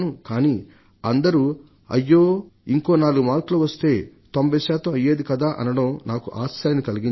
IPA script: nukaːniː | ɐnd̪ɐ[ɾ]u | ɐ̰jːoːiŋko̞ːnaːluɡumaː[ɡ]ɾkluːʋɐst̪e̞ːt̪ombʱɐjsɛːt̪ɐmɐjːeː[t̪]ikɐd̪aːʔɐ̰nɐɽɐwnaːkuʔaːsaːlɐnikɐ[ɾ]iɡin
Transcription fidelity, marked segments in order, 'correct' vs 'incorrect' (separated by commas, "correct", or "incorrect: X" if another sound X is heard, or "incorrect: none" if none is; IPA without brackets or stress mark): correct, incorrect: none, incorrect: d̪, incorrect: l